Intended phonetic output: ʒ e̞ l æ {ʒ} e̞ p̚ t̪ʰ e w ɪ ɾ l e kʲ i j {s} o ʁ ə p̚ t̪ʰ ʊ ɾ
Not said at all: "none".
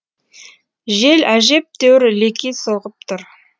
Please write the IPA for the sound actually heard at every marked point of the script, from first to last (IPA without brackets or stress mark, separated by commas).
ʒ, s